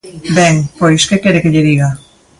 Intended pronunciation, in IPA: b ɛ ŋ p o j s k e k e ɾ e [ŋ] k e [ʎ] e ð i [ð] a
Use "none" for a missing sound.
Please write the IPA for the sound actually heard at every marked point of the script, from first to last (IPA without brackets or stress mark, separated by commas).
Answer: none, ʎ, ɣ